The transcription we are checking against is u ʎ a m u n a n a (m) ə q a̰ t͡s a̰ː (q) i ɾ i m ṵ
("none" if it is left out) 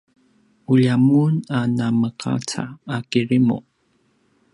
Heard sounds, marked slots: m, k

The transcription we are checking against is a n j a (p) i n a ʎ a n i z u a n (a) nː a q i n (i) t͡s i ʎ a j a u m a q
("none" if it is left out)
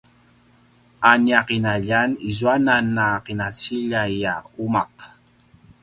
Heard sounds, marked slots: q, a, a

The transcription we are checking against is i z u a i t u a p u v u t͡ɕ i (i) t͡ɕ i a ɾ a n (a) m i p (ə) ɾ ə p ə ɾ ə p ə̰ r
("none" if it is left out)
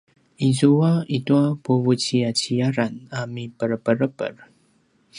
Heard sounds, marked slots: a, a, ə

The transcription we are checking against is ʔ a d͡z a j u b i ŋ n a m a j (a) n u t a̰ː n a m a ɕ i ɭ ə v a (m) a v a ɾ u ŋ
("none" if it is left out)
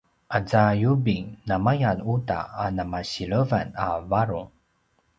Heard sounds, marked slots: a, n

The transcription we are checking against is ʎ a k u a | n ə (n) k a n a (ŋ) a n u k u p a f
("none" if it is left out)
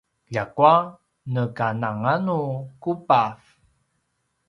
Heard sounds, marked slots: none, ŋ

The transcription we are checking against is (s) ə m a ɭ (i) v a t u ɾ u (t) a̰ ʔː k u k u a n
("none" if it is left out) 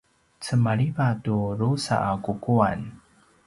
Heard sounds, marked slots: t͡s, i, s

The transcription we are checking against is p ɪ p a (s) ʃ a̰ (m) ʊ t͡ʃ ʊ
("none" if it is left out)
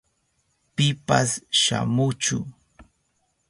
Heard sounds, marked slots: s, m

